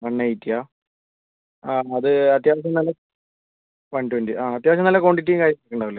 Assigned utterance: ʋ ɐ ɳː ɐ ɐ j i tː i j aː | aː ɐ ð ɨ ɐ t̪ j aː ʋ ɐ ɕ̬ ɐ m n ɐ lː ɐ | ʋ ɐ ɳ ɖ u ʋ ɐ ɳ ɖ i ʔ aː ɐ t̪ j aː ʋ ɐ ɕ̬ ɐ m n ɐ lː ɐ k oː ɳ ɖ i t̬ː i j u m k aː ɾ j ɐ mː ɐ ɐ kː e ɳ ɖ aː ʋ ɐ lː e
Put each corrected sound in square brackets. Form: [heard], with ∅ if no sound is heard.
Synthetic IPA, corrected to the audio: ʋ ɐ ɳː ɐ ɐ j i tː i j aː | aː ɐ ð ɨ ɐ t̪ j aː ʋ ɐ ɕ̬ ɐ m n ɐ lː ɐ | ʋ ɐ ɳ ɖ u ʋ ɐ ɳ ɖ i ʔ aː ɐ t̪ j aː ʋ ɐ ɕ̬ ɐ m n ɐ lː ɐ k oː ɳ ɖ i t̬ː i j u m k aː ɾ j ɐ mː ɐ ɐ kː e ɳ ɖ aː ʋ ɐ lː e